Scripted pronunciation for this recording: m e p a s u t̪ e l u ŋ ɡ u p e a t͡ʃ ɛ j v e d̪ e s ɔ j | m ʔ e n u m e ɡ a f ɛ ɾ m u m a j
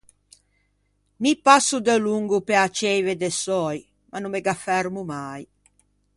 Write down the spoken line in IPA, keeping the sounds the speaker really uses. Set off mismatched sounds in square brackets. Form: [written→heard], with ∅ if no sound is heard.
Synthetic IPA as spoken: m [e→i] p a s u [t̪→d̪] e l u ŋ ɡ u p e a t͡ʃ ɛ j v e d̪ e s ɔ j | m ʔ [e→a] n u m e ɡ a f ɛ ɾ m u m a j